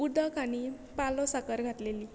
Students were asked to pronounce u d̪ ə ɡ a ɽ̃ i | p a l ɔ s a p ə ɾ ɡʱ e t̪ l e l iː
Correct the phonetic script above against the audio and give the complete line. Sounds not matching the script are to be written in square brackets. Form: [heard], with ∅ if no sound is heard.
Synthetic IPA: u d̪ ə [k] a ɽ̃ i | p a l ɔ s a [k] ə ɾ ɡʱ [a] t̪ l e l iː